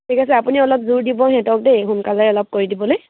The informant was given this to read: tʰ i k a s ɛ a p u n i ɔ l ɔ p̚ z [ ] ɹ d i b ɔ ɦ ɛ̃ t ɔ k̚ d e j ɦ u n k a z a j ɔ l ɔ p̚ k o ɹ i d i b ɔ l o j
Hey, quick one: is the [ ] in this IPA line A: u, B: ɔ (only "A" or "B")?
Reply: A